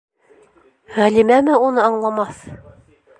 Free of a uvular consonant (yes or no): no